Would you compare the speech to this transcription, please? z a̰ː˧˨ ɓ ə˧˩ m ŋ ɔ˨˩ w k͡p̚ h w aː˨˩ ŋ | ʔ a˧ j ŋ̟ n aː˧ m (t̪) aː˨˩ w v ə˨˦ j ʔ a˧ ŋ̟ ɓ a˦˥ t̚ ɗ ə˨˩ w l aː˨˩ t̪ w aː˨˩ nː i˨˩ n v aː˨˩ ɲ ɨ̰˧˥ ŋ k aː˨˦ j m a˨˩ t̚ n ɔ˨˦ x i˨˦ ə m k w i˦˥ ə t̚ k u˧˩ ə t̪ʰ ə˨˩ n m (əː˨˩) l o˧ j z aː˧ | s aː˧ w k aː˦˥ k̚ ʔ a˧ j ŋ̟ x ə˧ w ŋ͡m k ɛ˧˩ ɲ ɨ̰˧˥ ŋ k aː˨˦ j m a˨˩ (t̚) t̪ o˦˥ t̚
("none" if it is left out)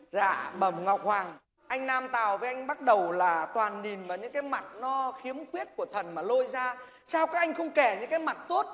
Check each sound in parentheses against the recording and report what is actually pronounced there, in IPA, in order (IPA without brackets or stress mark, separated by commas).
t̪, aː˨˩, t̚